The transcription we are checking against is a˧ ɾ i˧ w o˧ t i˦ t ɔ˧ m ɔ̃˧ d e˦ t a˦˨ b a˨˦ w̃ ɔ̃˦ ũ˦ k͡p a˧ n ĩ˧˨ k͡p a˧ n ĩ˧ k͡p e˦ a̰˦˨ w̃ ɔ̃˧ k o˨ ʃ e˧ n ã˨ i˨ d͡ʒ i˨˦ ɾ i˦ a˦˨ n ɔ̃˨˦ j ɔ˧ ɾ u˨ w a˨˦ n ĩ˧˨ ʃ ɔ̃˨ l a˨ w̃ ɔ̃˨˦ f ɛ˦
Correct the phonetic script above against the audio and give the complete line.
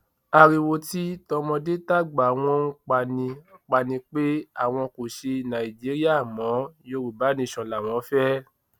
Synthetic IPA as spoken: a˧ ɾ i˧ w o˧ t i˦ t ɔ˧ m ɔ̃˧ d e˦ t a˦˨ ɡ͡b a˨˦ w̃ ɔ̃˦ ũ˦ k͡p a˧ n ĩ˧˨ k͡p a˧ n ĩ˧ k͡p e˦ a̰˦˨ w̃ ɔ̃˧ k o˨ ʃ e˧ n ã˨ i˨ d͡ʒ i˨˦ ɾ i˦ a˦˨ m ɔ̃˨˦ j o˧ ɾ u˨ b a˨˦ n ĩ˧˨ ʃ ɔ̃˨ l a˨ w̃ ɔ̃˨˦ f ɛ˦